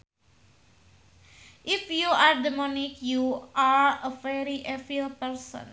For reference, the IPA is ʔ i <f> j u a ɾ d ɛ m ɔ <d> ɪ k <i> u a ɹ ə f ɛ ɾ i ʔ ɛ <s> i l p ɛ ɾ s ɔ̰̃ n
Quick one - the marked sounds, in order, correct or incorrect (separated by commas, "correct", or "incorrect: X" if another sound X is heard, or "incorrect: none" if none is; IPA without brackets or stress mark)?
correct, incorrect: n, incorrect: j, incorrect: f